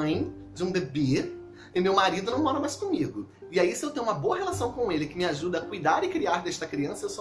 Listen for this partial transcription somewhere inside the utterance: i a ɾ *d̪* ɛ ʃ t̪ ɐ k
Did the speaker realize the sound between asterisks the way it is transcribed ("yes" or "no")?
yes